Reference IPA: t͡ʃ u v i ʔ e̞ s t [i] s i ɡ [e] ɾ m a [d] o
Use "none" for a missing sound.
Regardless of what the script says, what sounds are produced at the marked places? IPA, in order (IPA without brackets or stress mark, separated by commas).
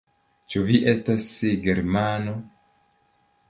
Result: a, e, n